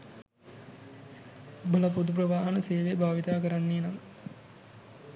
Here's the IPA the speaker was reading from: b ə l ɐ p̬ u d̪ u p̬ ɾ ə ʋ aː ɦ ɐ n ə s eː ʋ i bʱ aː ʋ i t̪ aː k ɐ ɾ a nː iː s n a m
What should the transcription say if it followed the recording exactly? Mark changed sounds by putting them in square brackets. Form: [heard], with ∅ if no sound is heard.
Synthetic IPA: b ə l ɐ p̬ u d̪ u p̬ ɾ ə ʋ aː ɦ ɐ n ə s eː ʋ [e] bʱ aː ʋ i t̪ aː k [ə] ɾ a nː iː [∅] n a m